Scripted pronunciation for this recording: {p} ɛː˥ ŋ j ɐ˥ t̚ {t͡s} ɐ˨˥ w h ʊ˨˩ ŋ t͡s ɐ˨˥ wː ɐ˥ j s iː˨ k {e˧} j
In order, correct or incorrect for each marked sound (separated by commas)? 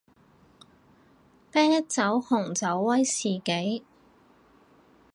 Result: correct, correct, incorrect